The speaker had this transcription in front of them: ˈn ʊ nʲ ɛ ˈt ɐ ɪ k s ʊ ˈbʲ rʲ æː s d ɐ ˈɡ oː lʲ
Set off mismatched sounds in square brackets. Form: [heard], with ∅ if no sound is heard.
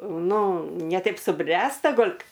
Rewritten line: ˈn ʊ nʲ ɛ ˈt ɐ ɪ [p] s ʊ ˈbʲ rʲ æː s [t] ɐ ˈɡ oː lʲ